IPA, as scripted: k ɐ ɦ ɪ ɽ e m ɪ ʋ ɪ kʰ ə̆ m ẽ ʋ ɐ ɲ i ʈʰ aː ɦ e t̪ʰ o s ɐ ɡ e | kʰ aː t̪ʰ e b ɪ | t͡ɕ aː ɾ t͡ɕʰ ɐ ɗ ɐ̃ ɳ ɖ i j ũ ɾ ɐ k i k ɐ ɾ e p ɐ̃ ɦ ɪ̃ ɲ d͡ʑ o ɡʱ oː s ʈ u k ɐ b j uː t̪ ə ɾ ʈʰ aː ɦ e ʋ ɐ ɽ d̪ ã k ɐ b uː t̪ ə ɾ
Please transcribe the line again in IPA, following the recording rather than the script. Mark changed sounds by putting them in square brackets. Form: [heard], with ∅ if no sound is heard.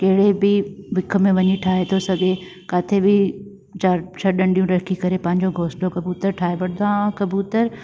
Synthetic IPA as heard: k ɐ ɦ ɪ ɽ e [b] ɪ ʋ ɪ kʰ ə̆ m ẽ ʋ ɐ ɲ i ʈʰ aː ɦ e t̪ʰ o s ɐ ɡ e | [k] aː t̪ʰ e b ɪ | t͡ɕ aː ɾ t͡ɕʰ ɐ ɗ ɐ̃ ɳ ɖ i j ũ ɾ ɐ k i k ɐ ɾ e p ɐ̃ ɦ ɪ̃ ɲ d͡ʑ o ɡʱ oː s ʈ [o] k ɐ b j uː t̪ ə ɾ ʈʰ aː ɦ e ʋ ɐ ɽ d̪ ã k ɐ b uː t̪ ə ɾ

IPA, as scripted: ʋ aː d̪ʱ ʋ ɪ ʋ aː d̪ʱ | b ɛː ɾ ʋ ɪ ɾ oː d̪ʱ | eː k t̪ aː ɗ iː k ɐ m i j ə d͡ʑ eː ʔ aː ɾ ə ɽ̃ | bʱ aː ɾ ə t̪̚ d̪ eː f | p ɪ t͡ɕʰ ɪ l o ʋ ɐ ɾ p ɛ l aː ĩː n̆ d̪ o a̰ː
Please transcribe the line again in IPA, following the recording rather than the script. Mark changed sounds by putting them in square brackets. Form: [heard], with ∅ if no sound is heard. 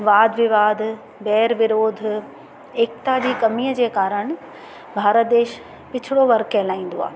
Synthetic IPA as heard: ʋ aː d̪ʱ ʋ ɪ ʋ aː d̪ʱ | b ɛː ɾ ʋ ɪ ɾ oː d̪ʱ | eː k t̪ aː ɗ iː k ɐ m i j ə d͡ʑ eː [k] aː ɾ ə ɽ̃ | bʱ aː ɾ ə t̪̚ d̪ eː [ʃ] | p ɪ t͡ɕʰ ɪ [ɽ] o ʋ ɐ ɾ [k] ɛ l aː ĩː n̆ d̪ o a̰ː

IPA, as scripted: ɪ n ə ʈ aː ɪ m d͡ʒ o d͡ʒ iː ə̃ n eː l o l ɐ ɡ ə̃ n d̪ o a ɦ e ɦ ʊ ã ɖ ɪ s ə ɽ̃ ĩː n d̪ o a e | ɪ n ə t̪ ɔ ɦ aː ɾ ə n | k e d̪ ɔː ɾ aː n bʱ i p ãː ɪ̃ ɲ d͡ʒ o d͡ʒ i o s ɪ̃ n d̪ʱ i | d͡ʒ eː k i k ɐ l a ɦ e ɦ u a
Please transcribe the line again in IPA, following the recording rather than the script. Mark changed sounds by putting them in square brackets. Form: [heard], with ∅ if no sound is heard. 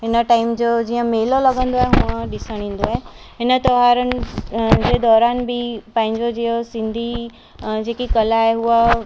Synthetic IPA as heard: ɪ n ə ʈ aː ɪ m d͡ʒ o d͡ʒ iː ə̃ [m] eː l o l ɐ ɡ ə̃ n d̪ o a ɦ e ɦ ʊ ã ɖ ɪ s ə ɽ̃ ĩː n d̪ o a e | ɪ n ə t̪ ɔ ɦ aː ɾ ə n | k e d̪ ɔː ɾ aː n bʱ i p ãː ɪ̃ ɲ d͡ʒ o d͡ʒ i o s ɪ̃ n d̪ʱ i | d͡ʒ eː k i k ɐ l a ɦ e ɦ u a

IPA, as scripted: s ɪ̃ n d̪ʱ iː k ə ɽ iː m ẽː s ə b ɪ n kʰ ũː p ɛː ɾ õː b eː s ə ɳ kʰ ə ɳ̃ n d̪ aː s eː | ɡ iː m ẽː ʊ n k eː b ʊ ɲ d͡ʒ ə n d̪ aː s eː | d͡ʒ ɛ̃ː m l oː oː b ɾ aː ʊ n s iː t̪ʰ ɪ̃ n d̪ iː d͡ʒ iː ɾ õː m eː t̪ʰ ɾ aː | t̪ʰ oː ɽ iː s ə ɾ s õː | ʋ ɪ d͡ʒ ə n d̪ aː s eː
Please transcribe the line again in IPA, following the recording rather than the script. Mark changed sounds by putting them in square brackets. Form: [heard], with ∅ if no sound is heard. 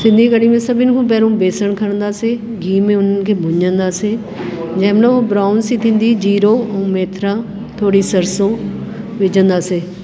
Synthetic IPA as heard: s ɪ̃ n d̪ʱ iː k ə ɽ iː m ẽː s ə b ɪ n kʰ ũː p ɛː ɾ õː b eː s ə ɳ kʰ ə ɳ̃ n d̪ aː s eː | ɡ iː m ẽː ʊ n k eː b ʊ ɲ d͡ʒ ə n d̪ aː s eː | d͡ʒ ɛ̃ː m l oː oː b ɾ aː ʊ n s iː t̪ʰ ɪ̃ n d̪ iː d͡ʒ iː ɾ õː m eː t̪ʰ ɾ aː | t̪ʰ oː ɽ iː s ə ɾ s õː | ʋ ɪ d͡ʒ ə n d̪ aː s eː

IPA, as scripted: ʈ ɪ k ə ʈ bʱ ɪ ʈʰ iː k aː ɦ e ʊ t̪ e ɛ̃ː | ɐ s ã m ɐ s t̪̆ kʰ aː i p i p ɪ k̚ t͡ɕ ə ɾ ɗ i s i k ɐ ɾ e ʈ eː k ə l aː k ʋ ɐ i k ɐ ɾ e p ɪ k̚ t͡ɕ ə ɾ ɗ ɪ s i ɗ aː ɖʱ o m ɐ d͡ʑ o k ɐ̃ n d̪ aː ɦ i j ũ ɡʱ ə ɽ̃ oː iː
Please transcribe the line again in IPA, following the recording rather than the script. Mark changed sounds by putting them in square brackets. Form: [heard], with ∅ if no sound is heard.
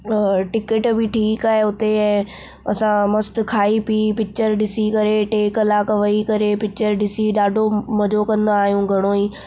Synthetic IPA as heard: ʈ ɪ k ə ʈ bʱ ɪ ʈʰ iː k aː ɦ e ʊ t̪ e ɛ̃ː | ɐ s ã m ɐ s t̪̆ kʰ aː i p i p ɪ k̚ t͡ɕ ə ɾ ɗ [ɪ] s i k ɐ ɾ e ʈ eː k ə l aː k ʋ ɐ i k ɐ ɾ e p ɪ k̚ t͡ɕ ə ɾ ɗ ɪ s i ɗ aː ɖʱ o m ɐ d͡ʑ o k ɐ̃ n d̪ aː ɦ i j ũ ɡʱ [ɐ] ɽ̃ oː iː

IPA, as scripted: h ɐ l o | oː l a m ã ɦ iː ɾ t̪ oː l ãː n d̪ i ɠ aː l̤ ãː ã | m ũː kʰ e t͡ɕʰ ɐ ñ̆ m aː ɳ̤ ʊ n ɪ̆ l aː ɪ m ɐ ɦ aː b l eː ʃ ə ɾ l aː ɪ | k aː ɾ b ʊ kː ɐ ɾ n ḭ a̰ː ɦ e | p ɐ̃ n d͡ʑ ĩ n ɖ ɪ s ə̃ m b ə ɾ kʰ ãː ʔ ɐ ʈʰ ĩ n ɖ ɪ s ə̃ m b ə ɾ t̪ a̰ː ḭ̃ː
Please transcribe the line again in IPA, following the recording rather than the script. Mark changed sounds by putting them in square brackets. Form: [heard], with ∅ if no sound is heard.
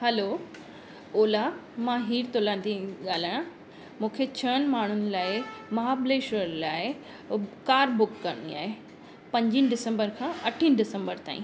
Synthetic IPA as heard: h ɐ l o | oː l a m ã ɦ iː ɾ t̪ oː l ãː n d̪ i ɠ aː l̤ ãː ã | m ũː kʰ e t͡ɕʰ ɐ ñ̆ m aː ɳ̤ ʊ n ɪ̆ l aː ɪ m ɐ ɦ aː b l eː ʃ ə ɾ l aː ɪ | k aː ɾ b ʊ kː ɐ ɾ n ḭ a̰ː ɦ e | p ɐ̃ [ɲ] d͡ʑ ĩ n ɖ ɪ s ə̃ m b ə ɾ kʰ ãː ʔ ɐ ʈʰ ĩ n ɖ ɪ s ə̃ m b ə ɾ t̪ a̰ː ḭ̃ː

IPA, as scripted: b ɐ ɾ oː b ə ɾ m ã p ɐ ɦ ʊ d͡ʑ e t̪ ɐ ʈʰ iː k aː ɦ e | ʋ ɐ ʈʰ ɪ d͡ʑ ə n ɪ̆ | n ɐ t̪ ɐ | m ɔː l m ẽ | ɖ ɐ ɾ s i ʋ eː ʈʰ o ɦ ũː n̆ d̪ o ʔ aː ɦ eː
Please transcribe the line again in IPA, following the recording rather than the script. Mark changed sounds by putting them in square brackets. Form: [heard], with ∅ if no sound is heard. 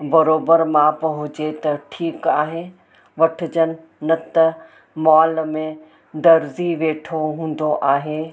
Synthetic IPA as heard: b ɐ ɾ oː b ə ɾ m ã p ɐ ɦ ʊ d͡ʑ e t̪ ɐ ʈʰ iː k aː ɦ e | ʋ ɐ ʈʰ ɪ d͡ʑ ə n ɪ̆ | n ɐ t̪ ɐ | m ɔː l m ẽ | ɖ ɐ ɾ [z] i ʋ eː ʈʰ o ɦ ũː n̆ d̪ o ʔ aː ɦ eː

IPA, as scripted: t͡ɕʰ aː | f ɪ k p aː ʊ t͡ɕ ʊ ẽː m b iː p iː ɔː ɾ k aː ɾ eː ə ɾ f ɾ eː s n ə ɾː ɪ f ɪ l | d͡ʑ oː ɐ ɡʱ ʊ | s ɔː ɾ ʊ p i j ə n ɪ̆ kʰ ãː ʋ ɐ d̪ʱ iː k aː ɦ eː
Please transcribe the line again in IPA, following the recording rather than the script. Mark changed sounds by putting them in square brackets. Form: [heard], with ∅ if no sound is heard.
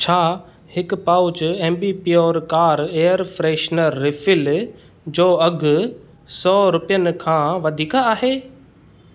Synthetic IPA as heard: t͡ɕʰ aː | [h] ɪ k p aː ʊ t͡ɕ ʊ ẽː m b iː p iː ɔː ɾ k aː ɾ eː ə ɾ f ɾ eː [ʃ] n ə ɾː ɪ f ɪ l | d͡ʑ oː ɐ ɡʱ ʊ | s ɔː ɾ ʊ p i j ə n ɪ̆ kʰ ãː ʋ ɐ d̪ʱ iː k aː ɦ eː

